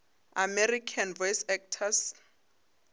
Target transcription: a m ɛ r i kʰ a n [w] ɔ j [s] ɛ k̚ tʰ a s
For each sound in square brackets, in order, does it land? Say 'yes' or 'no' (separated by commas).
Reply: no, yes